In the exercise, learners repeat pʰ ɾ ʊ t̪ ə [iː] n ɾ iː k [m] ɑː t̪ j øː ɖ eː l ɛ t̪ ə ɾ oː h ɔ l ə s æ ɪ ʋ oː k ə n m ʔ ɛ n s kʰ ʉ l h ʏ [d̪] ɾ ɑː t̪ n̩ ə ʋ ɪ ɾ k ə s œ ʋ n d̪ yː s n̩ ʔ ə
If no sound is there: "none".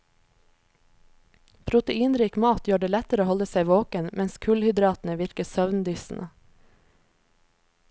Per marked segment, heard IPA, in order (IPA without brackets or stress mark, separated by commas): iː, m, d̪